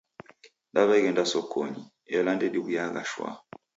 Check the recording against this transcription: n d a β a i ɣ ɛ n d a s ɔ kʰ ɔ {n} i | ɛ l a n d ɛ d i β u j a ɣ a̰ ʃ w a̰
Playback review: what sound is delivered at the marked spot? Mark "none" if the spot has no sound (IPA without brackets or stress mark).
ɲ